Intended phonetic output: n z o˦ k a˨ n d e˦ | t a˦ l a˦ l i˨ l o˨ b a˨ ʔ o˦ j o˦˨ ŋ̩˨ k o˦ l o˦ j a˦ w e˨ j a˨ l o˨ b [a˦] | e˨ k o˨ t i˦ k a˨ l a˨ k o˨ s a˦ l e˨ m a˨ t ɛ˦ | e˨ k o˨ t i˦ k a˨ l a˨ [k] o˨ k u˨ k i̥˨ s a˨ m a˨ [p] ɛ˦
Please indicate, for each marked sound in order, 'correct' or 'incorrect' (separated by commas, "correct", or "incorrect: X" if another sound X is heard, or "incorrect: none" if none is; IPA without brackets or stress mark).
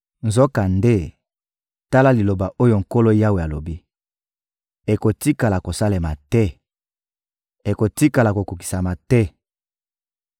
incorrect: i˦, correct, incorrect: t